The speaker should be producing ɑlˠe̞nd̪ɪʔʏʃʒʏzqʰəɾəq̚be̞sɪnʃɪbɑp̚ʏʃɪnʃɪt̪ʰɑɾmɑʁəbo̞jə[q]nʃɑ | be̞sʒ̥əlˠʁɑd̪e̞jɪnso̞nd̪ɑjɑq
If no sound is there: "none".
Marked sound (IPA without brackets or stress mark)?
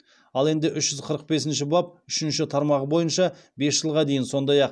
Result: none